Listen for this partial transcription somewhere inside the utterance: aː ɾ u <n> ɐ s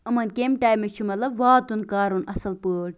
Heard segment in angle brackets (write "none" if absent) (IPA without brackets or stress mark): n